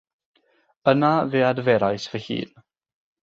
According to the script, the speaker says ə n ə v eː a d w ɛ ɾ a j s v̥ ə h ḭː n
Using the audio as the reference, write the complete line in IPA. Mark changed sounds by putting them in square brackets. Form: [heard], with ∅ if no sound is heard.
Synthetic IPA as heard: ə n [a] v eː a d [v] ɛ ɾ a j s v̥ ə h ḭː n